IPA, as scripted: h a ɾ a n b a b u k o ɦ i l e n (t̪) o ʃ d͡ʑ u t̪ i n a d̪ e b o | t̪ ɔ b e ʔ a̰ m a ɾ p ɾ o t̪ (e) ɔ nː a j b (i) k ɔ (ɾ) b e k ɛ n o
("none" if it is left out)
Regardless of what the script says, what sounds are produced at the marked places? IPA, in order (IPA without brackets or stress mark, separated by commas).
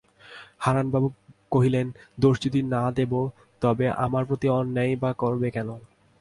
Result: d̪, i, a, ɾ